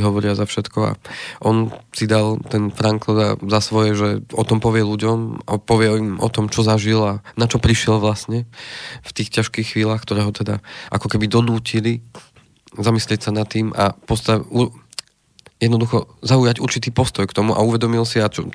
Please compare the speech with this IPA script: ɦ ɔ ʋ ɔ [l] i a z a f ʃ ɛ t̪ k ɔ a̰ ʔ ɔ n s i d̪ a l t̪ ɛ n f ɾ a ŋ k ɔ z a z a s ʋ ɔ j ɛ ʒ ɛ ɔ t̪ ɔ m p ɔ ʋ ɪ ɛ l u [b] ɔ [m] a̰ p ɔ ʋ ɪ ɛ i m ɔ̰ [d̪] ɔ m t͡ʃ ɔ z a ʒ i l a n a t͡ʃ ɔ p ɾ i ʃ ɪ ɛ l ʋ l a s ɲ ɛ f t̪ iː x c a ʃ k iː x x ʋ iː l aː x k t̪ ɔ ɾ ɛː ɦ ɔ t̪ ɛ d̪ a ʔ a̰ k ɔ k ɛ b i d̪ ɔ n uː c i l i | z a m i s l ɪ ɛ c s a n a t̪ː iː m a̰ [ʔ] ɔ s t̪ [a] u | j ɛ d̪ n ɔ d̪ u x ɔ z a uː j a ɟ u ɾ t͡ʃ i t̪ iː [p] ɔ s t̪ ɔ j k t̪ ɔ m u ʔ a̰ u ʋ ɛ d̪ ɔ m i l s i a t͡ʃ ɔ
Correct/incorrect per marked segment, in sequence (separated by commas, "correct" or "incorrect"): incorrect, incorrect, correct, incorrect, incorrect, correct, correct